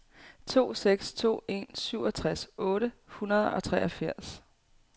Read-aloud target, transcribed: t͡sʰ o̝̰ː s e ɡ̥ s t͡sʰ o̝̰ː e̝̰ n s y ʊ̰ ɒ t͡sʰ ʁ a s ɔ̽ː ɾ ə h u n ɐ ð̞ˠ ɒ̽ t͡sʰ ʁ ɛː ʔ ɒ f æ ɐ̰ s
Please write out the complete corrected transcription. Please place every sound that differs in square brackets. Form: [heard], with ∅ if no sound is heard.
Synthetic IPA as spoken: t͡sʰ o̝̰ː s e ɡ̥ s t͡sʰ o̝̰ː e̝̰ n s y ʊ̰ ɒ t͡sʰ ʁ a s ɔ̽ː ɾ ə h u n ɐ ð̞ˠ ɒ̽ t͡sʰ ʁ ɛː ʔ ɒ f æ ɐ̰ s

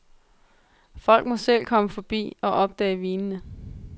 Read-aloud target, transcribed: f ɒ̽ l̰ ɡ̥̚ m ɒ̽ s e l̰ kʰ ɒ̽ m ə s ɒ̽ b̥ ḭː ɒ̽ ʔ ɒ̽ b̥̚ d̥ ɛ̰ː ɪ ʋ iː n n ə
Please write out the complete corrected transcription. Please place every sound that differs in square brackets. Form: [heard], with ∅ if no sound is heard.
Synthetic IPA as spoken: f ɒ̽ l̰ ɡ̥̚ m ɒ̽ s e l̰ kʰ ɒ̽ m ə [f] ɒ̽ b̥ ḭː ɒ̽ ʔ ɒ̽ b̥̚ d̥ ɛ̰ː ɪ ʋ iː n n ə

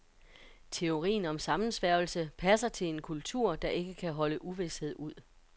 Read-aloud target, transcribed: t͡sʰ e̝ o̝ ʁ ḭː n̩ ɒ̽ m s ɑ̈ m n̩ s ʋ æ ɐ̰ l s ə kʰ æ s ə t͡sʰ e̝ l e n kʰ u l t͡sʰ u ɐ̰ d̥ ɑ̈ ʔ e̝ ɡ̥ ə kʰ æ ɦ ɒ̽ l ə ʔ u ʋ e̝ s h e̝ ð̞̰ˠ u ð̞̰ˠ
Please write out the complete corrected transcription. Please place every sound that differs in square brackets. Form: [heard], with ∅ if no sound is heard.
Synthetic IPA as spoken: t͡sʰ e̝ o̝ ʁ ḭː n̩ ɒ̽ m s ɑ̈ m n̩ s ʋ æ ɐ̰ l s ə [pʰ] æ s [ɐ] t͡sʰ e̝ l e n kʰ u l t͡sʰ u ɐ̰ d̥ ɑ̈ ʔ e̝ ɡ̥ ə kʰ æ ɦ ɒ̽ l ə ʔ u ʋ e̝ s h e̝ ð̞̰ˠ u ð̞̰ˠ

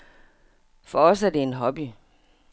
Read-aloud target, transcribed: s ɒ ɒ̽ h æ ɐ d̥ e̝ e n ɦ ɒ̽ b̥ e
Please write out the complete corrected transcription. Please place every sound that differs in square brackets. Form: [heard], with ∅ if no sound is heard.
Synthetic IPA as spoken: [f] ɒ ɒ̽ [s] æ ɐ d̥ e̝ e n ɦ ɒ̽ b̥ [i]

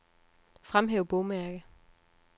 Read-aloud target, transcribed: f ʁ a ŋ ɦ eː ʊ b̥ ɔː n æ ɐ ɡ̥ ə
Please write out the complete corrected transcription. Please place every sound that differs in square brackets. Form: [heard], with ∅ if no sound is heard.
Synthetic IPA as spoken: f ʁ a [m] ɦ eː ʊ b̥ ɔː [m] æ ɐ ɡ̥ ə

